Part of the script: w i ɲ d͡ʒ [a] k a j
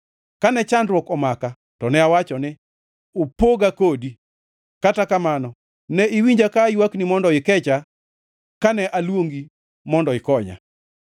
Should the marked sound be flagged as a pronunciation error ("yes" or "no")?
no